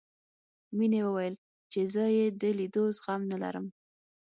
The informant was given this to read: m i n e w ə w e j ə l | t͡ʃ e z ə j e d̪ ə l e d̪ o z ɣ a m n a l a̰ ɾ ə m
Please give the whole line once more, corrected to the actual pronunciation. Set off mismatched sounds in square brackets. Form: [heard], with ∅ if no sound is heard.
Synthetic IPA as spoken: m i n e w ə w [a] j ə l | t͡ʃ e z ə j e d̪ ə l [i] d̪ o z ɣ a m n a l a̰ ɾ ə m